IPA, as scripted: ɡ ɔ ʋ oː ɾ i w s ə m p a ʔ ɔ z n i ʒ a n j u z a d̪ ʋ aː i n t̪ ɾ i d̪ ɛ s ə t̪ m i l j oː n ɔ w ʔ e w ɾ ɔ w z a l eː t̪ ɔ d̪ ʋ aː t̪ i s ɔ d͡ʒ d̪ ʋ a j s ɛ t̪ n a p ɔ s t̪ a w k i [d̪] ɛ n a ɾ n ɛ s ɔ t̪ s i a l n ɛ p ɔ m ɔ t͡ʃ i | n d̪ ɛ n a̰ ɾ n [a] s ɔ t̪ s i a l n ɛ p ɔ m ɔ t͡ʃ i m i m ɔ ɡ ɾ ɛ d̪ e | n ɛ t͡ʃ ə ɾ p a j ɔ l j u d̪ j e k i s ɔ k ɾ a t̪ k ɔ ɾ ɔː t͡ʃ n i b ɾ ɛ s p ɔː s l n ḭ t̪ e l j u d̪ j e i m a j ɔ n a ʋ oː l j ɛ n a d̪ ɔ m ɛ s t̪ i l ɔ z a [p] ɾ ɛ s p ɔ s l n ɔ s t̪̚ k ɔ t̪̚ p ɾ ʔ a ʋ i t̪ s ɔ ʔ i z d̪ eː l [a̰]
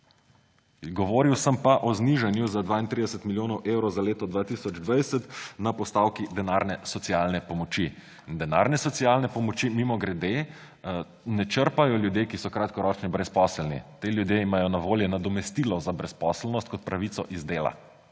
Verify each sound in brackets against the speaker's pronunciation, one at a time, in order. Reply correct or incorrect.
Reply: correct, incorrect: ɛ, incorrect: b, correct

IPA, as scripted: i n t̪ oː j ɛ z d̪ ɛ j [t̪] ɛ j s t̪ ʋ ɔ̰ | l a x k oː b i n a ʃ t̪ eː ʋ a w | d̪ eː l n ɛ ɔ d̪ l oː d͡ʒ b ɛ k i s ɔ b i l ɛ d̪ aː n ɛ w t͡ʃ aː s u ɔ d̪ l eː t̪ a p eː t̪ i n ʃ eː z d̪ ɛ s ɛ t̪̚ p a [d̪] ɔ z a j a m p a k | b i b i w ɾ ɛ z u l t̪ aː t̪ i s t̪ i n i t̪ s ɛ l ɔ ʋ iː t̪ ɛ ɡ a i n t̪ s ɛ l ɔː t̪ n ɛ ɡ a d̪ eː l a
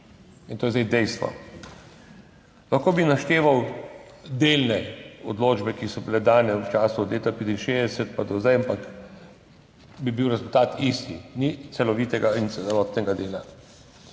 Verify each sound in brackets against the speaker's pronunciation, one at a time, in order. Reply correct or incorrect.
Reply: incorrect: d̪, correct

